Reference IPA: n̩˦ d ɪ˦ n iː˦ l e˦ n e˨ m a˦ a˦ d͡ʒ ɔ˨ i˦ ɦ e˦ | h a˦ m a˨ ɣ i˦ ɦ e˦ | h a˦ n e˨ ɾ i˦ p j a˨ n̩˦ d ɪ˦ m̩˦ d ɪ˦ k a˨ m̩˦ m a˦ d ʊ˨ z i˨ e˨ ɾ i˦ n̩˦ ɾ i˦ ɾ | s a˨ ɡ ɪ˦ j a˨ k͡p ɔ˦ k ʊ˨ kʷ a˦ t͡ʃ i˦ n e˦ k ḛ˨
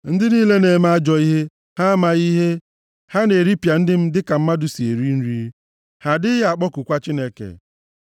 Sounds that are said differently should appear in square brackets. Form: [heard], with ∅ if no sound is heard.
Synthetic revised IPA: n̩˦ d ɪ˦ n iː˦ l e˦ n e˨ m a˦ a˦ d͡ʒ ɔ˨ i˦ ɦ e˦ | h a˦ m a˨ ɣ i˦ ɦ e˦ | h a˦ n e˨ ɾ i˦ p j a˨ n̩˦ d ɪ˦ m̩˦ d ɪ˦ k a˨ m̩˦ m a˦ d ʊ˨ [s] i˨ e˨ ɾ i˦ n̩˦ ɾ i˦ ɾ | [h] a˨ [d] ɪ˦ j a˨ k͡p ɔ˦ k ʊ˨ kʷ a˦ t͡ʃ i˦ n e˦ k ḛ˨